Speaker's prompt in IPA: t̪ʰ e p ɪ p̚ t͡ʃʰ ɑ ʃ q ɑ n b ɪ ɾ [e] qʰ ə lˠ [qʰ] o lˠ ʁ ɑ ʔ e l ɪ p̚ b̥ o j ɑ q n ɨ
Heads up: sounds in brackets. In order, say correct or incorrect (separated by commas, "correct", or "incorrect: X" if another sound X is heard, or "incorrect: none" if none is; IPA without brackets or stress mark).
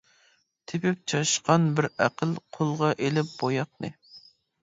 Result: incorrect: æ, correct